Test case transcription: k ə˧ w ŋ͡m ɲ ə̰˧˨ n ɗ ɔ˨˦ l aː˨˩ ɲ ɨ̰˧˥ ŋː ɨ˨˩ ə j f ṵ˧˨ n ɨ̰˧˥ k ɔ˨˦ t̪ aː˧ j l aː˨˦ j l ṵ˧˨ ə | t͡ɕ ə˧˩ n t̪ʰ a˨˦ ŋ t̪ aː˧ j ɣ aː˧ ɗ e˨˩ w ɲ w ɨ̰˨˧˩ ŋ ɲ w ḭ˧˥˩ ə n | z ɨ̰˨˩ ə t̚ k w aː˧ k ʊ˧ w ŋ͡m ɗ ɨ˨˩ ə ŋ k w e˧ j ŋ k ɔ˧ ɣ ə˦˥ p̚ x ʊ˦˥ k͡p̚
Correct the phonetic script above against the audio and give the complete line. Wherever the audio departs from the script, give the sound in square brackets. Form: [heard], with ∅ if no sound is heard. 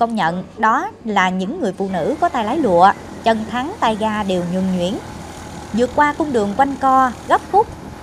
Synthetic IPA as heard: k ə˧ w ŋ͡m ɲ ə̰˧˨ n ɗ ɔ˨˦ l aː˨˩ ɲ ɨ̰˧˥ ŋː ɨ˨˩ ə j f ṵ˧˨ n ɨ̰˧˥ k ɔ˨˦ t̪ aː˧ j l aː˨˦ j l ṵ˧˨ ə | t͡ɕ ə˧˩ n t̪ʰ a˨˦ ŋ t̪ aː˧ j ɣ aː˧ ɗ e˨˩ w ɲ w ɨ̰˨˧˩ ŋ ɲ w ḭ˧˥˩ ə n | z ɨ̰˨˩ ə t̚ k w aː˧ k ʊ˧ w ŋ͡m ɗ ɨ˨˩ ə ŋ k w [a˧] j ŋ k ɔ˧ ɣ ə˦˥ p̚ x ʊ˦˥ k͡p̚

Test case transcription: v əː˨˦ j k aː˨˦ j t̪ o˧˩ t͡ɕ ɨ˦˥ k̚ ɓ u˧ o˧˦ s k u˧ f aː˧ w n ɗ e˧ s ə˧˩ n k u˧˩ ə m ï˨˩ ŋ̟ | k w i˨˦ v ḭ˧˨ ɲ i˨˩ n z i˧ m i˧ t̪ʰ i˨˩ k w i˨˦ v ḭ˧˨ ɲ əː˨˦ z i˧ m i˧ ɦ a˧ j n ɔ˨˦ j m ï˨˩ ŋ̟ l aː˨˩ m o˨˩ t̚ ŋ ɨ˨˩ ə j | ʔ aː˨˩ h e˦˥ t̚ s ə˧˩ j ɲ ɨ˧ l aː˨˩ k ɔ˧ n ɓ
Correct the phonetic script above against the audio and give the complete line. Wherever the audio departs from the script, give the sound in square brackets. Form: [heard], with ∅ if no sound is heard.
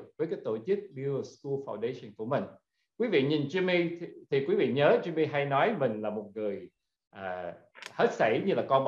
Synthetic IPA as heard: v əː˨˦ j k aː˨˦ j t̪ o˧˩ t͡ɕ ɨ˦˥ k̚ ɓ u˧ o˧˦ s k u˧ f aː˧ w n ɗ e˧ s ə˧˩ n k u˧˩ ə m ï˨˩ ŋ̟ | k w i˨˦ v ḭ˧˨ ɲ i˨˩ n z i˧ m i˧ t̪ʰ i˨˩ k w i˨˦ v ḭ˧˨ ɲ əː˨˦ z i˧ m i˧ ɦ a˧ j n ɔ˨˦ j m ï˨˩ ŋ̟ l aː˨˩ m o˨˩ t̚ ŋ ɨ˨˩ ə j | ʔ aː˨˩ h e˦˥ t̚ s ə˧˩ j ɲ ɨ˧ l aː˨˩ k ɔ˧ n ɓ

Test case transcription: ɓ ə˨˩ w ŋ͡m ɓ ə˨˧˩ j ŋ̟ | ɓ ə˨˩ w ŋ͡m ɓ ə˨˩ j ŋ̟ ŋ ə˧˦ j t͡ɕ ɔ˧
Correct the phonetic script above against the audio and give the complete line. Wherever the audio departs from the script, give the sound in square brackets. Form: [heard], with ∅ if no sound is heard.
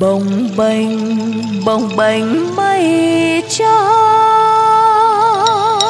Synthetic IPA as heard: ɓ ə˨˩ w ŋ͡m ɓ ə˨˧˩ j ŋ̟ | ɓ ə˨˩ w ŋ͡m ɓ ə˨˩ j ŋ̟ [m] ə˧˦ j t͡ɕ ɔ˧

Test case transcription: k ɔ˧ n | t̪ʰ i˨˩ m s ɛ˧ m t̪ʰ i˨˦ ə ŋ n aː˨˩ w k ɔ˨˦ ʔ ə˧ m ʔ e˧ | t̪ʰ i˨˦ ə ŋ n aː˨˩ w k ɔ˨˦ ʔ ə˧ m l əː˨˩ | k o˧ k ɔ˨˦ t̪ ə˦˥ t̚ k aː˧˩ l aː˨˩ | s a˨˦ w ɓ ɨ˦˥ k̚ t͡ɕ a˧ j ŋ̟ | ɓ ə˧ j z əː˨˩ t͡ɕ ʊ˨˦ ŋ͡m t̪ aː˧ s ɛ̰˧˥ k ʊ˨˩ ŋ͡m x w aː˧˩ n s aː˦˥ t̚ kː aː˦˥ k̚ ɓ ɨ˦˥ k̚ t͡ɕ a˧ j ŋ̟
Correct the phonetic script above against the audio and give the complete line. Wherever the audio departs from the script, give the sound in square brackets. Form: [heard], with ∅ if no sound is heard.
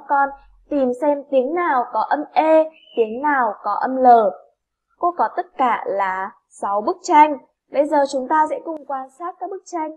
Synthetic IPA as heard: k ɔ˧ n | [t̪] i˨˩ m s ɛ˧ m [t̪] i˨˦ ə ŋ n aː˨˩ w k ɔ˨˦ ʔ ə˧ m ʔ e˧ | [t̪] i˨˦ ə ŋ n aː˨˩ w k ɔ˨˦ ʔ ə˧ m l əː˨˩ | k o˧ k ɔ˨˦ t̪ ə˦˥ t̚ k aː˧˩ l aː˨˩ | s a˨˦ w ɓ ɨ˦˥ k̚ t͡ɕ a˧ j ŋ̟ | ɓ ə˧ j z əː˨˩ t͡ɕ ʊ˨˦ ŋ͡m t̪ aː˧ s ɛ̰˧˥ k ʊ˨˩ ŋ͡m [k] w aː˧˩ n s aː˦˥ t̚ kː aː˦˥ k̚ ɓ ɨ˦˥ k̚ t͡ɕ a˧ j ŋ̟

